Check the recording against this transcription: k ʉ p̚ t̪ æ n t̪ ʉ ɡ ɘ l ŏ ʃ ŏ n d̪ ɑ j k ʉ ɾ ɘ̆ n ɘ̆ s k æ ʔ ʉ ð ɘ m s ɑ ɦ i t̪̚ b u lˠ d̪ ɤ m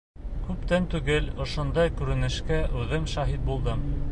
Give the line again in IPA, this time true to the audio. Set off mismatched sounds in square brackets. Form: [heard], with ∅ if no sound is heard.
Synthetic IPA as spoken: k ʉ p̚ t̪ æ n t̪ ʉ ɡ ɘ l ŏ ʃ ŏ n d̪ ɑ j k ʉ ɾ ɘ̆ n ɘ̆ [ʃ] k æ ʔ ʉ ð ɘ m [ʃ] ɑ ɦ i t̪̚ b u lˠ d̪ ɤ m